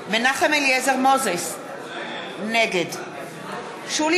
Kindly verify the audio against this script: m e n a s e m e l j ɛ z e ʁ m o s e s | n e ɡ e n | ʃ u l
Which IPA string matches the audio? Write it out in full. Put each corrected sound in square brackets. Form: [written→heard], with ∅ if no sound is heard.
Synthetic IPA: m e n a [s→χ] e m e l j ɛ z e ʁ m o [s→z] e s | n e ɡ e [n→d] | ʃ u l